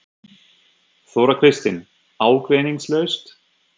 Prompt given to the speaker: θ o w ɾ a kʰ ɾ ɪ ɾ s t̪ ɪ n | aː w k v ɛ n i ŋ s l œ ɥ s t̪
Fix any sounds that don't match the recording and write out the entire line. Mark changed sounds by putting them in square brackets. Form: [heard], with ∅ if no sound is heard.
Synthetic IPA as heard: θ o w ɾ a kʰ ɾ ɪ [∅] s t̪ ɪ n | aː w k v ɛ n i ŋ s l œ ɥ s t̪